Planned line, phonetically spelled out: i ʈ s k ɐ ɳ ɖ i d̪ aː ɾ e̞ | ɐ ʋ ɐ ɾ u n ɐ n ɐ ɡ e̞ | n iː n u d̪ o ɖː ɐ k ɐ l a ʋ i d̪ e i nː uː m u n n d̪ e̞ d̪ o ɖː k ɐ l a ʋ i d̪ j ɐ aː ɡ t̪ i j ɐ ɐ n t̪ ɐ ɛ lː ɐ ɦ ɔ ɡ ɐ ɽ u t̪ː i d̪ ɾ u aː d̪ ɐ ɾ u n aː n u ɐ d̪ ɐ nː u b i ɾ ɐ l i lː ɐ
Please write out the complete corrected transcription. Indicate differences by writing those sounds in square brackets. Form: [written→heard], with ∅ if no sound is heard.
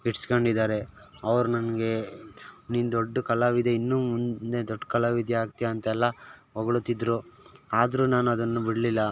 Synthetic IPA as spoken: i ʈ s k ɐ ɳ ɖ i d̪ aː ɾ e̞ | ɐ ʋ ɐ ɾ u n ɐ n ɐ ɡ e̞ | n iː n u d̪ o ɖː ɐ k ɐ l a ʋ i d̪ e i nː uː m u n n d̪ e̞ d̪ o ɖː k ɐ l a ʋ i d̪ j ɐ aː ɡ t̪ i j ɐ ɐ n t̪ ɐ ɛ lː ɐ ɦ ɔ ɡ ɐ [ɽ→ɭ] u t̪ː i d̪ ɾ u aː d̪ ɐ ɾ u n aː n u ɐ d̪ ɐ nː u b i [ɾ→ɽ] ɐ l i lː ɐ